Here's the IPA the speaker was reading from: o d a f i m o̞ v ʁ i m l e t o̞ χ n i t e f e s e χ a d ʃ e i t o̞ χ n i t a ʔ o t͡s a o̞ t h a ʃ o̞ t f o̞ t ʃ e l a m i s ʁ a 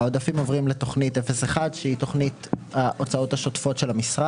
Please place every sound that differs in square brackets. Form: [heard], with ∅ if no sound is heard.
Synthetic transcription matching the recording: o d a f i m o̞ v ʁ i m l e t o̞ χ n i t e f e s e χ a d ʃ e i t o̞ χ n i t a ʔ o t͡s a o̞ t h a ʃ o̞ t f o̞ t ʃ e l a m i s ʁ a